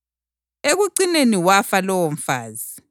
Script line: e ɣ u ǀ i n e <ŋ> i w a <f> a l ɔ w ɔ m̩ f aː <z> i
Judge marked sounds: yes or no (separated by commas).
no, yes, yes